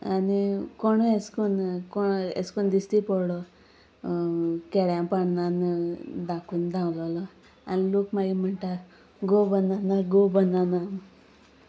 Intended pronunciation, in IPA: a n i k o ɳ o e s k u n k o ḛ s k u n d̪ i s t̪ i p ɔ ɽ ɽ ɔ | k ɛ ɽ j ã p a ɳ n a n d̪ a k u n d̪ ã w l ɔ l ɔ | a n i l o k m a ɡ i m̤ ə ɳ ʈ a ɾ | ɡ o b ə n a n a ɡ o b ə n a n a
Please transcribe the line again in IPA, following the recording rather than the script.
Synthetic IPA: a n i k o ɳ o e s k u n k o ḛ s k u n d̪ i s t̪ i p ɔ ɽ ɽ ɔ | k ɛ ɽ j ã p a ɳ n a n d̪ a k u n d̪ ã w l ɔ l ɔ | a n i l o k m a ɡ i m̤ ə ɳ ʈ a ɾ | ɡ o b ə n a n a ɡ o b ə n a n a

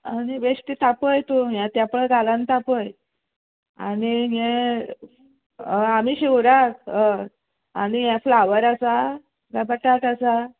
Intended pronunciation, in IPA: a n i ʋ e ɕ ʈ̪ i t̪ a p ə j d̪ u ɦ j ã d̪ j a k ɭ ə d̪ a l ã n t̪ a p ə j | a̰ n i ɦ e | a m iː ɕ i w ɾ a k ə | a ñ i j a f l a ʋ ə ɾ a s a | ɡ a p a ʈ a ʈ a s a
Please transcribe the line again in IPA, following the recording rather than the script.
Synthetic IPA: a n i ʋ e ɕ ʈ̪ i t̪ a p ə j t̪ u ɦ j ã t̪ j a p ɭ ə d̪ a l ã n t̪ a p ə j | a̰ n i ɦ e | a m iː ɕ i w ɾ a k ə | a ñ i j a f l a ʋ ə ɾ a s a | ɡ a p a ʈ a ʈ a s a

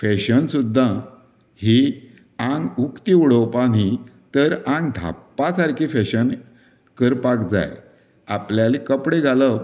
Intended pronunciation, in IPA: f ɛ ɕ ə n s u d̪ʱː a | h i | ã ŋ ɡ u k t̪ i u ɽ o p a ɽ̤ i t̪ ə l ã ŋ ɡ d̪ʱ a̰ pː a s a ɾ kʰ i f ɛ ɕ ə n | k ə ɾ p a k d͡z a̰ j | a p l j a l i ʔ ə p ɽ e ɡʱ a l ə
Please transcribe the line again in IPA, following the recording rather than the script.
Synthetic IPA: f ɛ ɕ ə n s u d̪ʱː a | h i | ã ŋ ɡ u k t̪ i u ɽ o p a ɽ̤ i t̪ ə ɾ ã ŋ ɡ d̪ʱ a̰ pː a s a ɾ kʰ i f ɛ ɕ ə n | k ə ɾ p a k d͡z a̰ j | a p l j a l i k ə p ɽ e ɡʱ a l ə

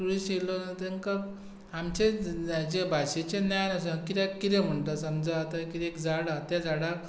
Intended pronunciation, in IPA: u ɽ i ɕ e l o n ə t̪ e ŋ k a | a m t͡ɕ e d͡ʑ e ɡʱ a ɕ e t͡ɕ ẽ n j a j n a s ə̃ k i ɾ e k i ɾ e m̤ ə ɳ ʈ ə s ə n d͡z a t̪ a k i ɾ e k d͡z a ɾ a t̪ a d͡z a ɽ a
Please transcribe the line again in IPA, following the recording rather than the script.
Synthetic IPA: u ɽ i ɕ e l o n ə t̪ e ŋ k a | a m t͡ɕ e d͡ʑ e bʱ a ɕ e t͡ɕ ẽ n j a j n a s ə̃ k i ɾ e k i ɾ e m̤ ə ɳ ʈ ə s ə m d͡z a t̪ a k i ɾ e k d͡z a ɽ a t̪ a d͡z a ɽ a

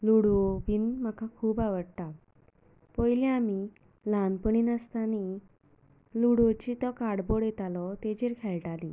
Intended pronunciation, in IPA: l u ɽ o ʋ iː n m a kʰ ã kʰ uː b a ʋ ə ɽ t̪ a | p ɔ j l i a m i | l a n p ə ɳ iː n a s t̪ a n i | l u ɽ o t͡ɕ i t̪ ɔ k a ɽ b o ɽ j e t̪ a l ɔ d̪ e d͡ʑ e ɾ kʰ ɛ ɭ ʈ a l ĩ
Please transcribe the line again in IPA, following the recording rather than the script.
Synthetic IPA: l u ɽ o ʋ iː n m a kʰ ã kʰ uː b a ʋ ə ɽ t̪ a | p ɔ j l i a m i | l a n p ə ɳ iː n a s t̪ a n i | l u ɽ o t͡ɕ i t̪ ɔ k a ɽ b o ɽ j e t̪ a l ɔ t̪ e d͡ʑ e ɾ kʰ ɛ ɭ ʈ a l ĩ

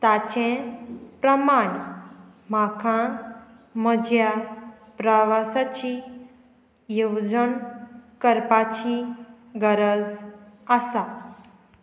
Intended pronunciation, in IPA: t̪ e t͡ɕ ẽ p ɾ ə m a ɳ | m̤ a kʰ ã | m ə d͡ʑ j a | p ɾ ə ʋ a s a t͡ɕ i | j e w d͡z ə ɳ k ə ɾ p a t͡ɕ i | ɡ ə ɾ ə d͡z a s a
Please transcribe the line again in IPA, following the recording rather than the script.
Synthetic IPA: t̪ a t͡ɕ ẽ p ɾ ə m a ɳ | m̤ a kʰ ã | m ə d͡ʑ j a | p ɾ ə ʋ a s a t͡ɕ i | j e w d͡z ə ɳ k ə ɾ p a t͡ɕ i | ɡ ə ɾ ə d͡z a s a

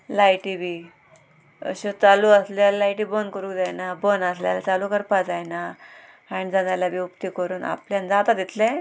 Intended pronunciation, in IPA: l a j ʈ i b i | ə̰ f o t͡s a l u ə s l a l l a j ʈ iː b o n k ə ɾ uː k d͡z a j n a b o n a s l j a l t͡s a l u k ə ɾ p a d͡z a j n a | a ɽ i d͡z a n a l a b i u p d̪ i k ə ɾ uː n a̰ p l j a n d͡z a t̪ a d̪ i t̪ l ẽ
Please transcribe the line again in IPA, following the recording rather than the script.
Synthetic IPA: l a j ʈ i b i | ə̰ ɕ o t͡s a l u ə s l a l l a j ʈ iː b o n k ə ɾ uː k d͡z a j n a b o n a s l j a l t͡s a l u k ə ɾ p a d͡z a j n a | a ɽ i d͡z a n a l a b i u p t̪ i k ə ɾ uː n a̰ p l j a n d͡z a t̪ a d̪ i t̪ l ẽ

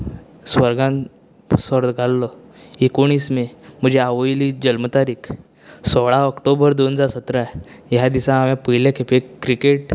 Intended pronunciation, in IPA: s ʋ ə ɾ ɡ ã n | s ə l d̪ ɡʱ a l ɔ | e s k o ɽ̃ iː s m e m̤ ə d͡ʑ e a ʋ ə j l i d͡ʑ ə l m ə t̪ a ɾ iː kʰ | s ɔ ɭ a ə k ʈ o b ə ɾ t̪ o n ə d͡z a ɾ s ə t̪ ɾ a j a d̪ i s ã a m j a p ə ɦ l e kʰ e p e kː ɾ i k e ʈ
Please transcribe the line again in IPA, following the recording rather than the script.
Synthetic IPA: s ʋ ə ɾ ɡ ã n | s ə ɾ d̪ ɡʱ a lː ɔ | e k o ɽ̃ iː s m e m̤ ə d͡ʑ e a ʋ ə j l i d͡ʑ ə l m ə t̪ a ɾ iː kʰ | s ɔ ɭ a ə k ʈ o b ə ɾ d̪ o n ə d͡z a ɾ s ə t̪ ɾ a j a d̪ i s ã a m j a p ə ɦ l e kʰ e p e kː ɾ i k e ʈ

